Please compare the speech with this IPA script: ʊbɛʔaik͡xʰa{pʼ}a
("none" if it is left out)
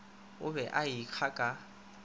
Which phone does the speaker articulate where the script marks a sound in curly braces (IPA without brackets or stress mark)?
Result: kʼ